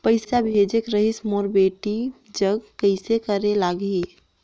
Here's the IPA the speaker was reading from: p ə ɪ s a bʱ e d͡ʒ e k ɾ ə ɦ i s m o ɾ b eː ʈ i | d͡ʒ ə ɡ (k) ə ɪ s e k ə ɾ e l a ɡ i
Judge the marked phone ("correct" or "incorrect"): correct